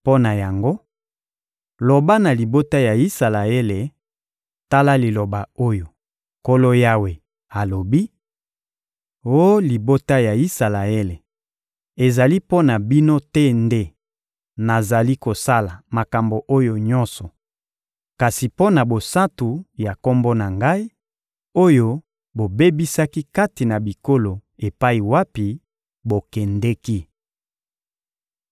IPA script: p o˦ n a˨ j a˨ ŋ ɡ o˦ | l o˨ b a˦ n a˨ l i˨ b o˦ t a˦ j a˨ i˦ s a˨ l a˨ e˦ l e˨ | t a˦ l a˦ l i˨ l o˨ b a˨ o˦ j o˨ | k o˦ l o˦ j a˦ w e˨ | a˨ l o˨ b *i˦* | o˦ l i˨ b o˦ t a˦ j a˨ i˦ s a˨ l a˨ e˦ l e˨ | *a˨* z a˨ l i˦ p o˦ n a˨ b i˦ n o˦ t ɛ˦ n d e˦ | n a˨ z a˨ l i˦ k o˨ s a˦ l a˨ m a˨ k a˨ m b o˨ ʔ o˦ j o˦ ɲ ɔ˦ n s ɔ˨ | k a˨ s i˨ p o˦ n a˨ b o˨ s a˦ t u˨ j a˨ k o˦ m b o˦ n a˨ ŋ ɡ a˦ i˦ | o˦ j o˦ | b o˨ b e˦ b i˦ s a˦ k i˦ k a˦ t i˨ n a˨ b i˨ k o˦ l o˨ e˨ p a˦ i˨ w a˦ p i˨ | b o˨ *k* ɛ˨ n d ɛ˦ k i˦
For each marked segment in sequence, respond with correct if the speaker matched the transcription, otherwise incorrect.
correct, incorrect, correct

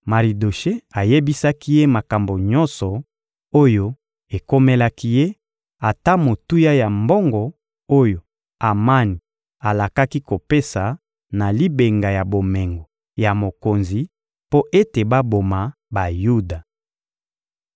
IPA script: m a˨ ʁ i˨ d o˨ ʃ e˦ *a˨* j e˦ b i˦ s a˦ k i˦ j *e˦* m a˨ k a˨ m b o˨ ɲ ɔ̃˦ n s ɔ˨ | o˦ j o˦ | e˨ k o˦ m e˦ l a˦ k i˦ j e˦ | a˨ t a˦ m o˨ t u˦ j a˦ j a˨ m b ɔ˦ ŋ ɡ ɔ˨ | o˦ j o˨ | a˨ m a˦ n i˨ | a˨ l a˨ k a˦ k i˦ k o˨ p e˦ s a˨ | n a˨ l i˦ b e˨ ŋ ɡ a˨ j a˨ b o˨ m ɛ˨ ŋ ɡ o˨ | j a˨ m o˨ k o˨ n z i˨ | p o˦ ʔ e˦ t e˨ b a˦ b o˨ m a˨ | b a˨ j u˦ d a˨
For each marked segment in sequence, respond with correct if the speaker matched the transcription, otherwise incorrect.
correct, correct

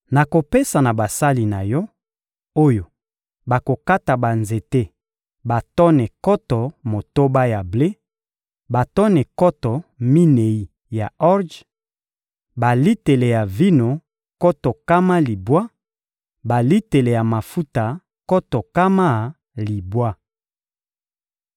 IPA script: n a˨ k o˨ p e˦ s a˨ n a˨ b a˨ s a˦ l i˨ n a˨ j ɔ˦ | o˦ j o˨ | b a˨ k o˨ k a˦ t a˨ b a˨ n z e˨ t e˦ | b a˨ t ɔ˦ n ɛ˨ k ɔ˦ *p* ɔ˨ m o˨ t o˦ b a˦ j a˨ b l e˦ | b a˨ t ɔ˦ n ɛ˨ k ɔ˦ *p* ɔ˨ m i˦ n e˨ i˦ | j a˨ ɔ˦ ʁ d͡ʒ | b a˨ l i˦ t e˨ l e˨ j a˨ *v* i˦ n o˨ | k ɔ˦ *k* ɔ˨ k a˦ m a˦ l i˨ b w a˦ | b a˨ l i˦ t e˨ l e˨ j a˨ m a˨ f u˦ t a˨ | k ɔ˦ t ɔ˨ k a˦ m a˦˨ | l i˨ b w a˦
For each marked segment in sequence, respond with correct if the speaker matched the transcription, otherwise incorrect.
incorrect, incorrect, correct, incorrect

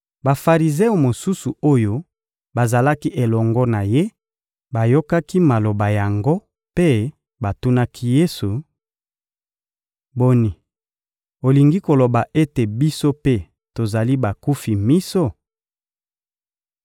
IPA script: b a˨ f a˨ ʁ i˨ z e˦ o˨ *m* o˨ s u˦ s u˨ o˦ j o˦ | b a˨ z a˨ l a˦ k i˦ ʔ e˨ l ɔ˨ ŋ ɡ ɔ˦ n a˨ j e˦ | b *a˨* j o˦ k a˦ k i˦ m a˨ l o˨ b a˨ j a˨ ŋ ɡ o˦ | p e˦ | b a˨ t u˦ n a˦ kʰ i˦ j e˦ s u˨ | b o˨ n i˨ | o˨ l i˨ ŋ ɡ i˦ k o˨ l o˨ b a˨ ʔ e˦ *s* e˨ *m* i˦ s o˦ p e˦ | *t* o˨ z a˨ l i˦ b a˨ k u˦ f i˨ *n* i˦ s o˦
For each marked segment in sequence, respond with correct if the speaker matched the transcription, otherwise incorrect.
correct, correct, incorrect, incorrect, correct, incorrect

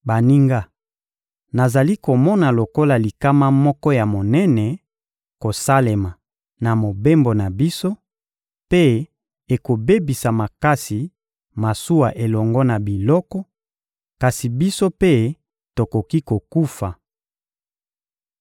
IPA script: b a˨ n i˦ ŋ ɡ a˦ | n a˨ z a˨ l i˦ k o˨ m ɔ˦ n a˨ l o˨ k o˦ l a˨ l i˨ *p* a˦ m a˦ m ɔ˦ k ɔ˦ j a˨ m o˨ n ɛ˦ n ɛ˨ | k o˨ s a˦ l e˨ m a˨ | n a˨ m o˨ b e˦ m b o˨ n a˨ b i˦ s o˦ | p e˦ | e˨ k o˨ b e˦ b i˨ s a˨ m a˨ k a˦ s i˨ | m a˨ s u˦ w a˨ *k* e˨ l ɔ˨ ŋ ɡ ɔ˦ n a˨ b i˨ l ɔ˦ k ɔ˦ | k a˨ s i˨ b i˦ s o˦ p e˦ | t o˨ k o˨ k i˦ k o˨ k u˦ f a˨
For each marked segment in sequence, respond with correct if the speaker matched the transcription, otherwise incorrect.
incorrect, incorrect

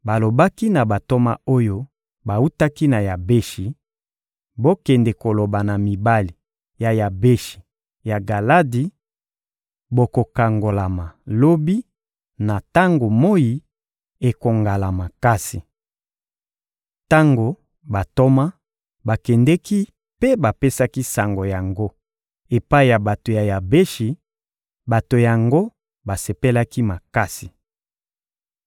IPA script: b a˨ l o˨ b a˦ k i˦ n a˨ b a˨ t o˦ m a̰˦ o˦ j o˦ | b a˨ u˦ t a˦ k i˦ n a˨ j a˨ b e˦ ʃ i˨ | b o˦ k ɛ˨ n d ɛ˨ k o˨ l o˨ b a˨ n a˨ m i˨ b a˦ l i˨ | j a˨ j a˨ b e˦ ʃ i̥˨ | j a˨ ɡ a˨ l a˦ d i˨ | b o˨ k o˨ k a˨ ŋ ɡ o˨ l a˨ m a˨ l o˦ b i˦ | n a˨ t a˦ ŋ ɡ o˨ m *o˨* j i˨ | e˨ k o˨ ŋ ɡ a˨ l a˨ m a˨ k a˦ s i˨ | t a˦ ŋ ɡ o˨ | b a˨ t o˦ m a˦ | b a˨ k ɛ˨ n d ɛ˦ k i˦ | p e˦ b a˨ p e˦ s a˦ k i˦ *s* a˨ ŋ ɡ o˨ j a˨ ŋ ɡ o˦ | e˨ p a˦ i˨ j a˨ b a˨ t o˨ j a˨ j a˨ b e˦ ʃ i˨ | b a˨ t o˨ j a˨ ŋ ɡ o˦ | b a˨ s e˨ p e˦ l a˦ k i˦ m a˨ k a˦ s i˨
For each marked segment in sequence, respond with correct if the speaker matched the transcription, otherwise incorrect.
incorrect, correct

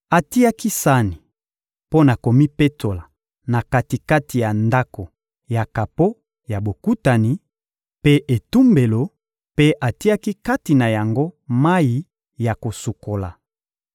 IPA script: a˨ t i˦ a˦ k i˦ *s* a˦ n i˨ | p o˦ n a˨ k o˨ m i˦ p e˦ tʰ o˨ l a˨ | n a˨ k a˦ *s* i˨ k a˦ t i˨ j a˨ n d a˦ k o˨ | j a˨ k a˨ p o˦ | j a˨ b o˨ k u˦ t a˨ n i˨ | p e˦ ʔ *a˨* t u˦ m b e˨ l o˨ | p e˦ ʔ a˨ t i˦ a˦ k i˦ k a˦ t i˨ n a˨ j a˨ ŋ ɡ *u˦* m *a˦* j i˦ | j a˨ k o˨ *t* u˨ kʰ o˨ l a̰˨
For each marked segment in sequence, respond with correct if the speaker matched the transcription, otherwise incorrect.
correct, incorrect, incorrect, incorrect, correct, incorrect

